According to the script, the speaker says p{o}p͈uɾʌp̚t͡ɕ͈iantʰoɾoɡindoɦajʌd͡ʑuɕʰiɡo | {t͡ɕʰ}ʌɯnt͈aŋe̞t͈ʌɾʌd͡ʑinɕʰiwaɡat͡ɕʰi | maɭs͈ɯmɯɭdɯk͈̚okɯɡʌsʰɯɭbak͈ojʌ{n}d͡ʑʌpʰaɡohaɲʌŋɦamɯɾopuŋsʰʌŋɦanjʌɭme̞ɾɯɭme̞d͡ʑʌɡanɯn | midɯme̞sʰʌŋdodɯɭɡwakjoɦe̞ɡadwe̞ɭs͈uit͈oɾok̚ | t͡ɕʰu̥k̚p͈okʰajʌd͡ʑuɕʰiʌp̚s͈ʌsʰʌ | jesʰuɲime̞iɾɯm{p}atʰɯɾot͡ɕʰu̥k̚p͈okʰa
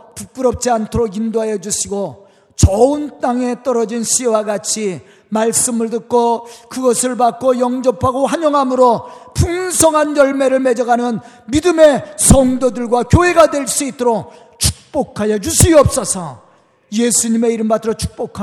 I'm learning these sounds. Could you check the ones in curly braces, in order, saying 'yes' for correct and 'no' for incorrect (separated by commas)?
no, no, no, no